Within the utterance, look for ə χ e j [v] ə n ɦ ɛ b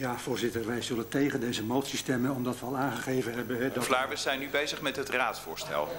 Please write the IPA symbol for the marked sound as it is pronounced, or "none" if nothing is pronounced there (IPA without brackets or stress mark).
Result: v